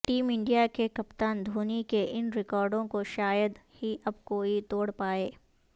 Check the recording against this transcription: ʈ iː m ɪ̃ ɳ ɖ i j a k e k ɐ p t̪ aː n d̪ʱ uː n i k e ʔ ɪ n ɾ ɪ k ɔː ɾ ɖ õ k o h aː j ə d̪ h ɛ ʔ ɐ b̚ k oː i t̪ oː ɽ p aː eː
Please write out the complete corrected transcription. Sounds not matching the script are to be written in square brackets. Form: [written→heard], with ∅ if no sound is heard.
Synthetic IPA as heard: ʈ iː m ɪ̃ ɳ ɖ i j a k e k ɐ p t̪ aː n d̪ʱ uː n i k e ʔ ɪ n ɾ ɪ k ɔː ɾ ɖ õ k o [h→ʃ] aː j ə d̪ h [ɛ→i] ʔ ɐ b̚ k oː i t̪ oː ɽ p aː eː